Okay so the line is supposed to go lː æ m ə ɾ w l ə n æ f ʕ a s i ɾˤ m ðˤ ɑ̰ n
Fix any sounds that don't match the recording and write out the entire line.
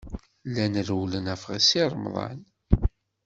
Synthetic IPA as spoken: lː æ n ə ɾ w l ə n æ f ʁ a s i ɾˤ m ðˤ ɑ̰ n